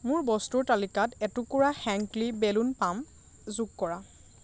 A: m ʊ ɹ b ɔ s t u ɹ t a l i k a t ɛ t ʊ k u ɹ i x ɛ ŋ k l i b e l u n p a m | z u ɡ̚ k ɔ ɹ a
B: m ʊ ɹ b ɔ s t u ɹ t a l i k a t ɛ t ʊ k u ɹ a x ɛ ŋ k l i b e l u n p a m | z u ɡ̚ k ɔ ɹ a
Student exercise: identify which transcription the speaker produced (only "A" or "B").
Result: B